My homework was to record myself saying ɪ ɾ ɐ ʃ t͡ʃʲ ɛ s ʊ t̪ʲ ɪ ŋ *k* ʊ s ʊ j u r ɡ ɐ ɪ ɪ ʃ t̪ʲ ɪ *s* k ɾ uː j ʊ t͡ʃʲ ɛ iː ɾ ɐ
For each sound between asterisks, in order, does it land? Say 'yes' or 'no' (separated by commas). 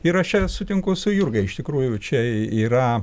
yes, no